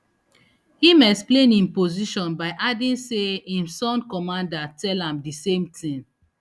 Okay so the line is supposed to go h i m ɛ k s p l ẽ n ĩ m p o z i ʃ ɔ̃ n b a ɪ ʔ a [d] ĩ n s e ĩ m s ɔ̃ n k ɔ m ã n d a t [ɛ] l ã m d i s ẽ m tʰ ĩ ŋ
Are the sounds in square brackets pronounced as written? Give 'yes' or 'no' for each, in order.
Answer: yes, yes

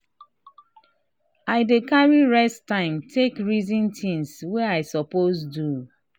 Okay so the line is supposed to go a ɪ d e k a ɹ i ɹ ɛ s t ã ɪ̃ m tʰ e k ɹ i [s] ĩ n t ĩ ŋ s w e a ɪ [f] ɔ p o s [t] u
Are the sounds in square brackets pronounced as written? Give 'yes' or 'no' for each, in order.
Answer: no, no, no

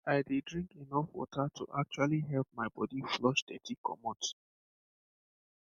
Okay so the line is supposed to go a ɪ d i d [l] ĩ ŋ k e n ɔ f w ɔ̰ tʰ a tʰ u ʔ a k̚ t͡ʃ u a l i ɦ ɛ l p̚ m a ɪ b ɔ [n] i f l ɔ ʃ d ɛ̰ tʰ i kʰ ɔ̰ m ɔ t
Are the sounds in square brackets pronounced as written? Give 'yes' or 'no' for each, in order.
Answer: no, no

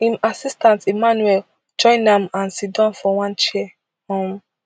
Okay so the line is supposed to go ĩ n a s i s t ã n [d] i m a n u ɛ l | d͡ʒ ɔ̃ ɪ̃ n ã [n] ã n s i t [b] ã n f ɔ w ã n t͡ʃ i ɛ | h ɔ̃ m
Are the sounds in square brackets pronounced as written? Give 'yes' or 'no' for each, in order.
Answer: no, no, no

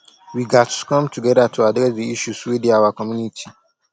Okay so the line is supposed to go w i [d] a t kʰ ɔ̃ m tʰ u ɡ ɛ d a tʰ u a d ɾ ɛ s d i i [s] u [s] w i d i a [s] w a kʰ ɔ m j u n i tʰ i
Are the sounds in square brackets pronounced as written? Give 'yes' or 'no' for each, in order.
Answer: no, no, yes, no

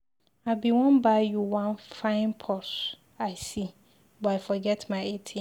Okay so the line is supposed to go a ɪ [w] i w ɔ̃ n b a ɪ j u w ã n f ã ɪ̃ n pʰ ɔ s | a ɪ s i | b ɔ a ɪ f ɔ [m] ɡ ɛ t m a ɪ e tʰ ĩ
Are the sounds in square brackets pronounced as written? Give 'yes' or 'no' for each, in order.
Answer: no, no

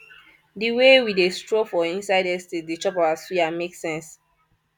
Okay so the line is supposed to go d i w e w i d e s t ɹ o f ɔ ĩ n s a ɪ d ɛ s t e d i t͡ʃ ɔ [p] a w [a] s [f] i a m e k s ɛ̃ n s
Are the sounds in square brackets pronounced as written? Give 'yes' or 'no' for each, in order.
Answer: yes, yes, yes

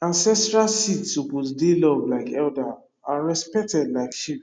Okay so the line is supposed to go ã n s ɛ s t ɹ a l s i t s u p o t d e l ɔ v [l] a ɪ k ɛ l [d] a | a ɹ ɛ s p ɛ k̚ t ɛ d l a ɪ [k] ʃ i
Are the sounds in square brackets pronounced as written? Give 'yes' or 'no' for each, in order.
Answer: yes, yes, yes

